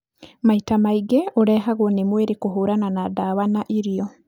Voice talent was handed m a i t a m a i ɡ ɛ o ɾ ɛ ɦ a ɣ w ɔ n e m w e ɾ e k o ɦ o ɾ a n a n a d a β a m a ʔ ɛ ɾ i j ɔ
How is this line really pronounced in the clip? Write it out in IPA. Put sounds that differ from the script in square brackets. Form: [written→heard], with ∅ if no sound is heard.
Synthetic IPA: m a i t a m a i ɡ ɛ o ɾ ɛ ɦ a ɣ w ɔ n e m w e ɾ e k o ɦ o ɾ a n a n a d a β a [m→n] a ʔ [ɛ→i] ɾ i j ɔ